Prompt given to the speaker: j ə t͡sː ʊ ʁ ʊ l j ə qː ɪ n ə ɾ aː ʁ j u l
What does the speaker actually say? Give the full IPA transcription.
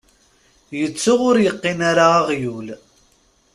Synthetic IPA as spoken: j ə t͡sː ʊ ʁ ʊ ɾ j ə qː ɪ n a ɾ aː ʁ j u l

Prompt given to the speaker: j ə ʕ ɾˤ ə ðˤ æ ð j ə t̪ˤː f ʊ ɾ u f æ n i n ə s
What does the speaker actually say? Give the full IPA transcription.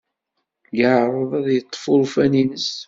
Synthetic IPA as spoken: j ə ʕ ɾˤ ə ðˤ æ ð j ə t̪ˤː f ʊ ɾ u f æ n i n ə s

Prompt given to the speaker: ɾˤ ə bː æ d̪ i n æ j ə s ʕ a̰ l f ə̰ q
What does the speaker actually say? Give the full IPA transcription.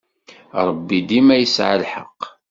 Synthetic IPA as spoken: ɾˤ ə bː i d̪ i m æ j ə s ʕ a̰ l ħ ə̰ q

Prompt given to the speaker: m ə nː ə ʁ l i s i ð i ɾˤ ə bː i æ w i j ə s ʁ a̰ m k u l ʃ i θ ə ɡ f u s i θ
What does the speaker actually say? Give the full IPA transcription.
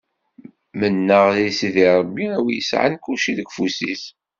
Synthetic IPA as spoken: m ə nː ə ʁ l i s i ð i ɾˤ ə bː i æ w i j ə s ʕ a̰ n k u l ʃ i ð ə ɡ f u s i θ

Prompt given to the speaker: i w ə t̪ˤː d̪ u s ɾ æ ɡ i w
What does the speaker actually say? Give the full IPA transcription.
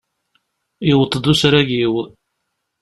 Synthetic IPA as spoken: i w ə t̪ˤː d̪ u s ɾ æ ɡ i w

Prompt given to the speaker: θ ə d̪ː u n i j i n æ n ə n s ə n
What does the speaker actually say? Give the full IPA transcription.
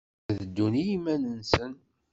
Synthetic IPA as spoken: ð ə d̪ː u n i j i m æ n ə n s ə n

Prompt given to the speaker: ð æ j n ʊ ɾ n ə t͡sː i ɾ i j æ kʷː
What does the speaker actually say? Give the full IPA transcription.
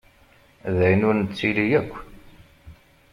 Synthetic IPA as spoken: ð æ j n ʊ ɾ n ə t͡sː i l i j æ kʷː

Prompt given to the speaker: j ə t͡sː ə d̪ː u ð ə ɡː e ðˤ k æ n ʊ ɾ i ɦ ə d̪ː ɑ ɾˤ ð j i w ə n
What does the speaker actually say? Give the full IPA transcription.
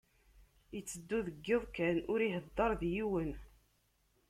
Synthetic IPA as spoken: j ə t͡sː ə d̪ː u ð ə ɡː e ðˤ k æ n ʊ ɾ i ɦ ə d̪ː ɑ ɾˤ ð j i w ə n

